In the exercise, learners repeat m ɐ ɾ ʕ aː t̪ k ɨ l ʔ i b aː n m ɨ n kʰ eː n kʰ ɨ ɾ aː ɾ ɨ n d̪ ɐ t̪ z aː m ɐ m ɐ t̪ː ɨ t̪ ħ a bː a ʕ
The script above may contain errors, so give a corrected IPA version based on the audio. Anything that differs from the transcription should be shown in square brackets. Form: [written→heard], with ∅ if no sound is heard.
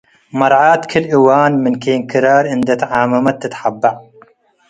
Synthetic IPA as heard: m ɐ ɾ ʕ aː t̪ [k→kʰ] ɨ l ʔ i [b→w] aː n m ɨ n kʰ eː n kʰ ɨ ɾ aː ɾ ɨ n d̪ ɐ t̪ [z→ʕ] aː m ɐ m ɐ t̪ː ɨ t̪ ħ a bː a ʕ